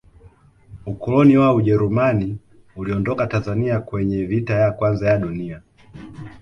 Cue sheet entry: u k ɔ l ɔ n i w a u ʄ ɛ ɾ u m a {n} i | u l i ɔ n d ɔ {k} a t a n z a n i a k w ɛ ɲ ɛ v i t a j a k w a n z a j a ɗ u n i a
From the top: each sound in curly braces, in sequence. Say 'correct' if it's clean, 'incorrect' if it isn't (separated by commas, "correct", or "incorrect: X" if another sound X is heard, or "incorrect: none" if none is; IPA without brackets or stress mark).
correct, correct